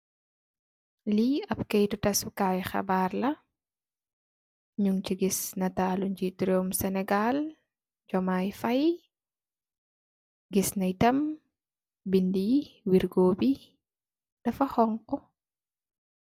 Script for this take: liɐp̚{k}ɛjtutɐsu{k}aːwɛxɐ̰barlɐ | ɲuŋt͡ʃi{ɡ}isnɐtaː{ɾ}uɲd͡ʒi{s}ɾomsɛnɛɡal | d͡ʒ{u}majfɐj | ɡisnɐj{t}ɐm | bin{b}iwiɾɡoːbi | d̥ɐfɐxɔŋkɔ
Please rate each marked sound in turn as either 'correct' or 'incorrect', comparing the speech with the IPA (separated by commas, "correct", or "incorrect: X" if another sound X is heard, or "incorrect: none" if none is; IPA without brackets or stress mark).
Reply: correct, correct, correct, incorrect: l, incorrect: t, incorrect: ɔ, correct, incorrect: d